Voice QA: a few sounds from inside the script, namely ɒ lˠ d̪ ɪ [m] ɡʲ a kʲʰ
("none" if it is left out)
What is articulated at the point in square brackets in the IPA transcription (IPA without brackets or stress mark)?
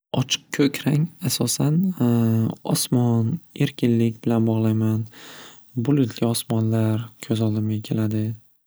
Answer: m